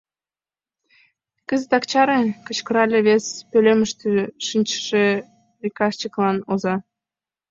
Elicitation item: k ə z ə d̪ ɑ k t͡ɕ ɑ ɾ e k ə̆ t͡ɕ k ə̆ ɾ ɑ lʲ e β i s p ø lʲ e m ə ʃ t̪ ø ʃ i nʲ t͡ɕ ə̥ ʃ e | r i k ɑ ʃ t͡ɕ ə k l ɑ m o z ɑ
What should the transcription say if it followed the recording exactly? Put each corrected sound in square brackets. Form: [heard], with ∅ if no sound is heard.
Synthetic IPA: k ə z ə [t̪] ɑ k t͡ɕ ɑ ɾ e k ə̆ t͡ɕ k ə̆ ɾ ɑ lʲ e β [e] s p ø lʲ e m ə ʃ t̪ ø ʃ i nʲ t͡ɕ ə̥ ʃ e | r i k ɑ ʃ t͡ɕ ə k l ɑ [n] o z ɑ